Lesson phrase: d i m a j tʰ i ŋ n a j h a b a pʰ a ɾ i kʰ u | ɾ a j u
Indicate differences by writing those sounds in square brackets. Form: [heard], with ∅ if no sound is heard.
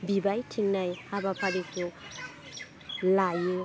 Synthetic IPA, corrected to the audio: [b] i [b] a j tʰ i ŋ n a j h a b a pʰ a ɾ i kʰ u | [l] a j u

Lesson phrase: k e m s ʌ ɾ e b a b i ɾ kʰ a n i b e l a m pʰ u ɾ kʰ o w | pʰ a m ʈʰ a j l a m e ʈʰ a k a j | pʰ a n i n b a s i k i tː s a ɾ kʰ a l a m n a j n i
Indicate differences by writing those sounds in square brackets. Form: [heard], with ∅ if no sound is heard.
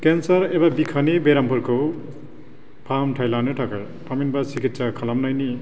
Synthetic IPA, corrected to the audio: k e [n] s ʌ ɾ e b a b i [∅] kʰ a n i b e [ɾ] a m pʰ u ɾ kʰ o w | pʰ a m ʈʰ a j l a [n] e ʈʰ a k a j | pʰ a [m] i n b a s i k i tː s a [∅] kʰ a l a m n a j n i

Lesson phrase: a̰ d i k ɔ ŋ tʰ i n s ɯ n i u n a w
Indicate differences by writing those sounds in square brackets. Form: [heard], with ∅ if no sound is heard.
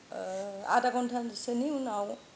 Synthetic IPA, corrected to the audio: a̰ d [a] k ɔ [n] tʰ [a] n s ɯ n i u n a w

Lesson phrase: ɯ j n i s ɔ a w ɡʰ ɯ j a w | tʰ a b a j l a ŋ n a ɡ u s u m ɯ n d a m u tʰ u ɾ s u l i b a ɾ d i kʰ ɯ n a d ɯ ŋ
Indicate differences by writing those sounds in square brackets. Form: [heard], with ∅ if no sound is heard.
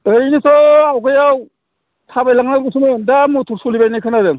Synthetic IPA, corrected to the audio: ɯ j n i s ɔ a w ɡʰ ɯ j a w | tʰ a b a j l a ŋ n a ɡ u s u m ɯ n d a m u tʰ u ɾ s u l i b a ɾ [n] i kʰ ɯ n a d ɯ ŋ

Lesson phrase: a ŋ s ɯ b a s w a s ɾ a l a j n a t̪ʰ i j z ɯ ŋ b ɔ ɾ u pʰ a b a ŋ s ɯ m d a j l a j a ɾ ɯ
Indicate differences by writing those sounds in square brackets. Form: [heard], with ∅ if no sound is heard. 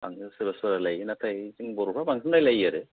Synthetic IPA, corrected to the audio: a ŋ s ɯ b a s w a [∅] ɾ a l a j n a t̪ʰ [a] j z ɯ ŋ b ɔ ɾ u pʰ a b a ŋ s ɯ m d a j l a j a ɾ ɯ

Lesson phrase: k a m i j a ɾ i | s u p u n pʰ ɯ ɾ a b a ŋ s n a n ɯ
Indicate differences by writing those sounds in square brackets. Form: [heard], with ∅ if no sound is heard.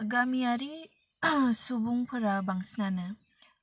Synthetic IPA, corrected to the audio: [ɡ] a m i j a ɾ i | s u [b] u [ŋ] pʰ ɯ ɾ a b a ŋ s n a n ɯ

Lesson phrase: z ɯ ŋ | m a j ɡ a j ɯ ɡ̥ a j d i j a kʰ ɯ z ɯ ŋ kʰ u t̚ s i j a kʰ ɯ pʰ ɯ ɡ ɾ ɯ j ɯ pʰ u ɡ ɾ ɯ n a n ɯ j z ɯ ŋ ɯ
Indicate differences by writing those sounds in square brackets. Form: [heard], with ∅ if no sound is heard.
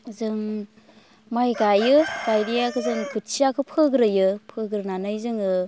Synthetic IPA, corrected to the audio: z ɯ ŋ | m a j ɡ a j ɯ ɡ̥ a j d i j a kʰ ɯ z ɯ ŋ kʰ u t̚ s i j a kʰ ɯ pʰ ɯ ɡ ɾ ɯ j ɯ pʰ [ɯ] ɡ ɾ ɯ n a n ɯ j z ɯ ŋ ɯ

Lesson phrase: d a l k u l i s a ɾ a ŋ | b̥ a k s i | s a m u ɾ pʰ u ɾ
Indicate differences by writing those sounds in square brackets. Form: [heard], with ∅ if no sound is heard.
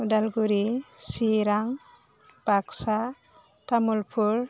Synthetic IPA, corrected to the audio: d a l [ɡ] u [ɾ] i s [i] ɾ a ŋ | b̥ a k s [a] | [t] a m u [l] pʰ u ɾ

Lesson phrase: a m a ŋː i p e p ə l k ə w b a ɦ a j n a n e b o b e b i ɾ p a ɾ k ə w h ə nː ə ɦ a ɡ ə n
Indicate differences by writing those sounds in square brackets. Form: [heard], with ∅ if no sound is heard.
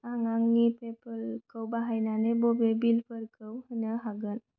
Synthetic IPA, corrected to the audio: a [ŋ] a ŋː i p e p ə l k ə w b a ɦ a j n a n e b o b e b i [l] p [ə] ɾ k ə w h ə [n] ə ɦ a ɡ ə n

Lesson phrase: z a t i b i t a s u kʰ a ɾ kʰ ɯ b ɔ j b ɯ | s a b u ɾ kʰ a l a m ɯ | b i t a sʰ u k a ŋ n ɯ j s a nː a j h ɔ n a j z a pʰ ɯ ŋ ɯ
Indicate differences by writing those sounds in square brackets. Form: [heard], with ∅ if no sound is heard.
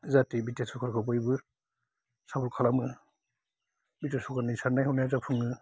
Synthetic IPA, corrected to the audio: z a t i b i t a s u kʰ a ɾ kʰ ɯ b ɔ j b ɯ | s a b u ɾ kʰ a l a m ɯ | b i t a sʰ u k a [∅] n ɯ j s a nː a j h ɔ n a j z a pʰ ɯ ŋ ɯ

